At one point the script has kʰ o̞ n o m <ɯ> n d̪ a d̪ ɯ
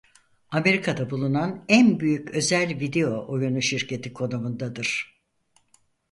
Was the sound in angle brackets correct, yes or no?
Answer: no